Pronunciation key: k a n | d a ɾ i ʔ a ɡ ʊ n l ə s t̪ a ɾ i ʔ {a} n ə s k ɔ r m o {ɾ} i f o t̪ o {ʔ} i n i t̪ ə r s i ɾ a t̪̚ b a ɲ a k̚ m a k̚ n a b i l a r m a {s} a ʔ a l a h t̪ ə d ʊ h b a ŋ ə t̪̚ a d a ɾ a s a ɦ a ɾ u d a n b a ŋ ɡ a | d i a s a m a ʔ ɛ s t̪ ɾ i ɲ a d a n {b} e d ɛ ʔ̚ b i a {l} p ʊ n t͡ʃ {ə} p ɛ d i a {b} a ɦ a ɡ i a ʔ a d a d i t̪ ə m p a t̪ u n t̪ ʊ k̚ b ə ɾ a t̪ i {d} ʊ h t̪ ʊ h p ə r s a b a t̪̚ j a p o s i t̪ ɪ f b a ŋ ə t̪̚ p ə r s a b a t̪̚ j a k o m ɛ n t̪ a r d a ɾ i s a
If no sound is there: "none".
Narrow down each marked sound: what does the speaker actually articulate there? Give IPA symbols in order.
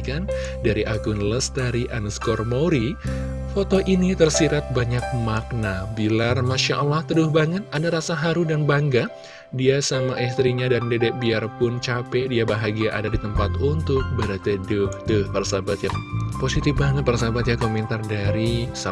a, ɾ, ʔ, ʃ, d, r, a, b, d

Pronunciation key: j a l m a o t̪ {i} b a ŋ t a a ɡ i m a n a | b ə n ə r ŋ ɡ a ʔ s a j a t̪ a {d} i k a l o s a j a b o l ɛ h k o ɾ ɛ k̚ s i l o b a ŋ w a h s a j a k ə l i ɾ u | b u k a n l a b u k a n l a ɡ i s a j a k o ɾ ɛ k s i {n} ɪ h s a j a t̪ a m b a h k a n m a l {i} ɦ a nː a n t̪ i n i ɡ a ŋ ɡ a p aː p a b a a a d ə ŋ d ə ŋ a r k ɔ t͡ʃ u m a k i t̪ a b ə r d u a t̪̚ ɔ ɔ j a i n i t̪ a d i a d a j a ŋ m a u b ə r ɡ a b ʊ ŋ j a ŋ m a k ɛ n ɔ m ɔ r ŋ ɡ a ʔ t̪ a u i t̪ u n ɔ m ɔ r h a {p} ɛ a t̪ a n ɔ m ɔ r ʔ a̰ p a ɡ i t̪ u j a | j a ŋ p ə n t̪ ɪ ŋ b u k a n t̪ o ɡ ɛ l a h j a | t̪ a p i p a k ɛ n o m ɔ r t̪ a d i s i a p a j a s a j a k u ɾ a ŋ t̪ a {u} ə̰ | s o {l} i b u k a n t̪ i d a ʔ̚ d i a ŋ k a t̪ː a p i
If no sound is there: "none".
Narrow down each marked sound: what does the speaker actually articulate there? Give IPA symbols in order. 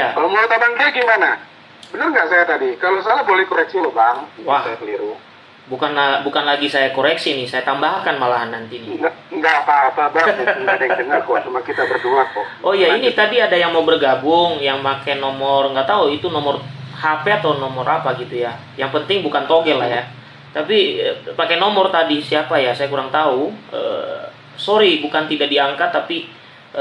a, d, n, a, p, u, ɾ

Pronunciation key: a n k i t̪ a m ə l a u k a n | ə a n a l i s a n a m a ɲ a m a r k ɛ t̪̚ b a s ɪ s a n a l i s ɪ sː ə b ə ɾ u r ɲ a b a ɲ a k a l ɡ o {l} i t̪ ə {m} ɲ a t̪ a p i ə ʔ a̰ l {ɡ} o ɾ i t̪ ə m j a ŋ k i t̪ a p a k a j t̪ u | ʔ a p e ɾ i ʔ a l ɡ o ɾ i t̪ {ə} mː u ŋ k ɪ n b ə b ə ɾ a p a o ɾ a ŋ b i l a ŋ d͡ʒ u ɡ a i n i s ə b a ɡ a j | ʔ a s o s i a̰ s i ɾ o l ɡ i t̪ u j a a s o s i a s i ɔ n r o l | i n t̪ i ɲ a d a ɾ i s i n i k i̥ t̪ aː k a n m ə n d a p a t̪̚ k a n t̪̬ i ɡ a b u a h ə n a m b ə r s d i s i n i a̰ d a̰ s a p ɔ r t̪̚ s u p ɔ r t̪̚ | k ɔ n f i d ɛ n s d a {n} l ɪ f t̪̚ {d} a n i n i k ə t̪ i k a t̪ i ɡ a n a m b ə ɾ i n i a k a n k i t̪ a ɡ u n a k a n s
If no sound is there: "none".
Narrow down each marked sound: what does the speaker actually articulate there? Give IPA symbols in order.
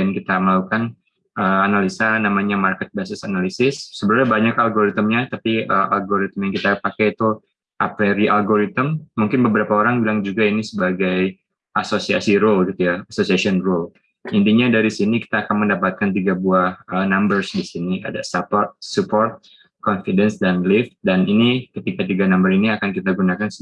ɾ, m, ɡ, ə, n, d

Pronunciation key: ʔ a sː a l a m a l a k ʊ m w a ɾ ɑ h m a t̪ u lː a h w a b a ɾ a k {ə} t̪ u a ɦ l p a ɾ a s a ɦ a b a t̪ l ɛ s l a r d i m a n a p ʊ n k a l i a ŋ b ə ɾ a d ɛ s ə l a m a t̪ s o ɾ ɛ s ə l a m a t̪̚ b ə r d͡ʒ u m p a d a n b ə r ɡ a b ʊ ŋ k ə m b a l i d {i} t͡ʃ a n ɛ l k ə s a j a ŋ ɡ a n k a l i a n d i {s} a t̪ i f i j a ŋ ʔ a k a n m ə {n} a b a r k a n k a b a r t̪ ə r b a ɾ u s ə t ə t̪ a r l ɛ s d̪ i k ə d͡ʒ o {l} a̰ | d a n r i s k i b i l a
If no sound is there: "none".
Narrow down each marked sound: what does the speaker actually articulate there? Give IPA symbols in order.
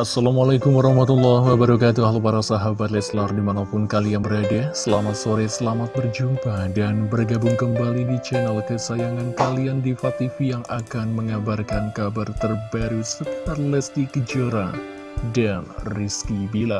a, i, f, ŋ, ɾ

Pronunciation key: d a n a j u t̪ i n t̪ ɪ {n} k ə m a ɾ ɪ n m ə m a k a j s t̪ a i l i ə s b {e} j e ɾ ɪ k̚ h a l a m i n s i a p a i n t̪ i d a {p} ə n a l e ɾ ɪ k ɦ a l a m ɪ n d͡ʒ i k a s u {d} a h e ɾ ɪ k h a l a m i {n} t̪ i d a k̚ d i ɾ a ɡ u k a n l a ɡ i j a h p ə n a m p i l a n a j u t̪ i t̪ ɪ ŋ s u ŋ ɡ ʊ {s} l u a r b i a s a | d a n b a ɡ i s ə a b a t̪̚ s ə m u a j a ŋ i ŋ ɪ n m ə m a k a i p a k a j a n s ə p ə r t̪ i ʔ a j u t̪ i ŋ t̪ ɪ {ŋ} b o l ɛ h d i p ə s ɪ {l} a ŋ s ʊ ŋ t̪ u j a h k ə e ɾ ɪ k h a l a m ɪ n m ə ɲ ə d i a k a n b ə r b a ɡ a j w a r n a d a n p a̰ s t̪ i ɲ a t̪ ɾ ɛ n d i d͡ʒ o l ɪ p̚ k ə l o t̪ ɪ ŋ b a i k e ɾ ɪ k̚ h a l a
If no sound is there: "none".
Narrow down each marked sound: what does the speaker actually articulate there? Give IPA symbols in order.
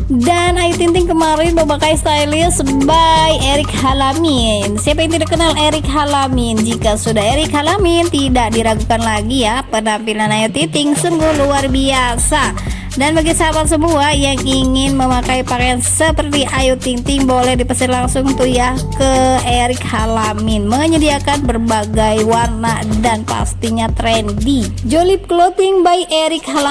ŋ, a, k, d, n, h, ŋ, l

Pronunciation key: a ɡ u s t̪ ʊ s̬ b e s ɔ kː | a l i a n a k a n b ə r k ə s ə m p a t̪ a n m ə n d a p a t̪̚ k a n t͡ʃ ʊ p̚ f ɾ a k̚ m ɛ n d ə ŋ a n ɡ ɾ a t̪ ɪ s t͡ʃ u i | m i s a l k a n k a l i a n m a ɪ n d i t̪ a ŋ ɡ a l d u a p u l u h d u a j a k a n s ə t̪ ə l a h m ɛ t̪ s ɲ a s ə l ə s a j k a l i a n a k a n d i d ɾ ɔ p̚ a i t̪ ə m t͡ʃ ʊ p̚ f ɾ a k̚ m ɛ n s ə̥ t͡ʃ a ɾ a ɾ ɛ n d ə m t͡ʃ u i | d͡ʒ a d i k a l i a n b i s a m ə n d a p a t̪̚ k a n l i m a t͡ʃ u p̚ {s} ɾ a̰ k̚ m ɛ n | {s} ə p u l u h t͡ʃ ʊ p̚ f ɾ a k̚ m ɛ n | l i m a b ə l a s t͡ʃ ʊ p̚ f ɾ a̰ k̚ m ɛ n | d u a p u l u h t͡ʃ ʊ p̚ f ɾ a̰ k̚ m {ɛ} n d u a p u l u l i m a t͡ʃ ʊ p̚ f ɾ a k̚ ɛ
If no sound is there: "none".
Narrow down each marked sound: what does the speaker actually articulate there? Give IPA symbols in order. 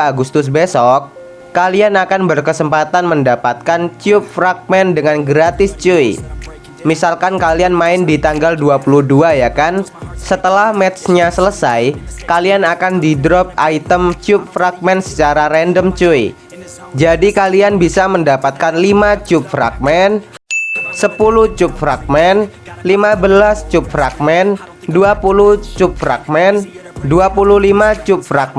f, s, ɛ

